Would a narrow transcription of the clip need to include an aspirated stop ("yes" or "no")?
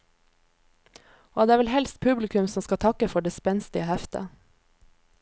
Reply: yes